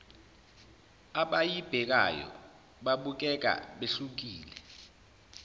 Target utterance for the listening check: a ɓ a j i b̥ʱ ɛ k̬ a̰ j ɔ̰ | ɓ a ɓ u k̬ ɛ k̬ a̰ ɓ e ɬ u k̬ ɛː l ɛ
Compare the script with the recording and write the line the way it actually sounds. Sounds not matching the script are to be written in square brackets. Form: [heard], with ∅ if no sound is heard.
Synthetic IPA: a ɓ a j i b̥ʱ ɛ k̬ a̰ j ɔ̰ | ɓ a ɓ u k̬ ɛ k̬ a̰ ɓ e ɬ u k̬ [iː] l ɛ